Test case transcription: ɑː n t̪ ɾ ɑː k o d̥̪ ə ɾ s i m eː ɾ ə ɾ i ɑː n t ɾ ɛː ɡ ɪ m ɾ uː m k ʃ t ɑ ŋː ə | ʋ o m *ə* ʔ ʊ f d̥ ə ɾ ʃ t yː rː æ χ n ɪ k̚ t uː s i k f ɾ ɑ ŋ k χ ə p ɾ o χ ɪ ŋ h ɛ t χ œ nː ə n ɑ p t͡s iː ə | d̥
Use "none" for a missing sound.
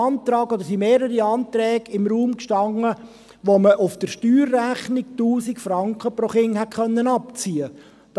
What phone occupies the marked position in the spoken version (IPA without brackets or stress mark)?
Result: ə